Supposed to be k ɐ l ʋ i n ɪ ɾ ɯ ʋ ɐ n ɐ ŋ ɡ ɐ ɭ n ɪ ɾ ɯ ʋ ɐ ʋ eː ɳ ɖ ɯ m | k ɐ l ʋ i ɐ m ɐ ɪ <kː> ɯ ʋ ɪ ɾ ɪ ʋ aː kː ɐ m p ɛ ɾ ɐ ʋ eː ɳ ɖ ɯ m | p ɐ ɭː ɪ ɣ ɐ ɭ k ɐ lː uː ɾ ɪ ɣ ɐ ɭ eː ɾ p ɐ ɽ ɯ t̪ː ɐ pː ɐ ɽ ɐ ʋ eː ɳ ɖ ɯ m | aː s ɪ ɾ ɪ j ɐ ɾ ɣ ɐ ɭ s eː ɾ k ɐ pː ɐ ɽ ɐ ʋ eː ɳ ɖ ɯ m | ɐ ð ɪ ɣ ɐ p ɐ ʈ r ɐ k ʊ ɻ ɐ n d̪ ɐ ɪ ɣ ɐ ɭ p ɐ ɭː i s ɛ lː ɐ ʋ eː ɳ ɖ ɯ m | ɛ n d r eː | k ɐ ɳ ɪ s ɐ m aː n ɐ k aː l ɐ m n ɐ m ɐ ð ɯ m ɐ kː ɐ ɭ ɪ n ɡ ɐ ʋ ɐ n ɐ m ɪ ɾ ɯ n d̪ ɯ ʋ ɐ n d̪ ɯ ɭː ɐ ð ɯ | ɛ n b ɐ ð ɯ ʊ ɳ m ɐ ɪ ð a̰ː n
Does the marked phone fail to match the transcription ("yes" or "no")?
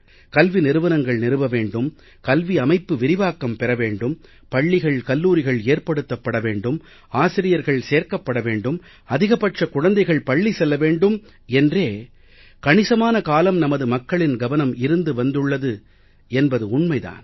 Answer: yes